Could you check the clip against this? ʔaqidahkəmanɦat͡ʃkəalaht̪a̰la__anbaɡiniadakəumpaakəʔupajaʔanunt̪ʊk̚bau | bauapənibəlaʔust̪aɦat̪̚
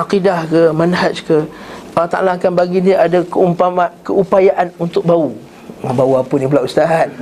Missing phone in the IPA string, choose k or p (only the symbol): k